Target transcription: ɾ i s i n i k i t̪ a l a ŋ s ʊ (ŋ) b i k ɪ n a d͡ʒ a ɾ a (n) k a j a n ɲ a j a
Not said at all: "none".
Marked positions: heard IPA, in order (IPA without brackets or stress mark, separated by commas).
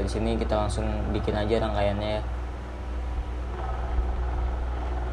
ŋ, ŋ